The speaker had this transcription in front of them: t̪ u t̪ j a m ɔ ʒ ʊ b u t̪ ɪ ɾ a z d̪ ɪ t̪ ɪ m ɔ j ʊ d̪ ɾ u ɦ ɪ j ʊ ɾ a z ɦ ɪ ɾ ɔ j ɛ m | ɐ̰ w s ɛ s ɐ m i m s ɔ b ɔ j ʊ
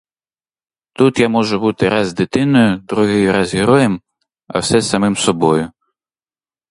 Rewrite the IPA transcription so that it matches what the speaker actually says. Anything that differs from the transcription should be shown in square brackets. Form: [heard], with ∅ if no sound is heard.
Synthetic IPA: t̪ u t̪ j a m ɔ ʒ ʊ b u t̪ ɪ ɾ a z d̪ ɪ t̪ ɪ [n] ɔ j ʊ d̪ ɾ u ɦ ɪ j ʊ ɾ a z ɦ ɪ ɾ ɔ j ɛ m | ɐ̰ w s ɛ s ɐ m [ɪ] m s ɔ b ɔ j ʊ